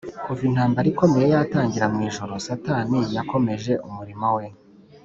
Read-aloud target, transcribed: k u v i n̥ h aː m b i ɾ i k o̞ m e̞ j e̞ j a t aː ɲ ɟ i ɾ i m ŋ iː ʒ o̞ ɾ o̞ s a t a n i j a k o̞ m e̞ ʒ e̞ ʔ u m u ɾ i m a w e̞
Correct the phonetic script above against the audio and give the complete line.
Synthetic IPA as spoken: k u v i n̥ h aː m b a ɾ i k o̞ m e̞ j e̞ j a t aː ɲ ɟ i ɾ a m ŋ iː ʒ o̞ ɾ o̞ s a t a n i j a k o̞ m e̞ ʒ e̞ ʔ u m u ɾ i m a w e̞